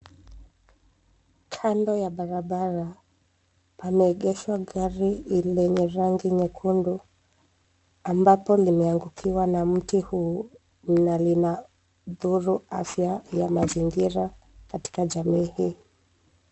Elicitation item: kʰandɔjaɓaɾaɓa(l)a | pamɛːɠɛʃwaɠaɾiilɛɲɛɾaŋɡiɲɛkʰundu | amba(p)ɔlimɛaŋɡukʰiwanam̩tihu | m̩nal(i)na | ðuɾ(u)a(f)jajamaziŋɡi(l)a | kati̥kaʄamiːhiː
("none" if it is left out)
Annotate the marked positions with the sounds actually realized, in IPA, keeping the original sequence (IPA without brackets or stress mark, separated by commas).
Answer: ɾ, p, i, u, f, ɾ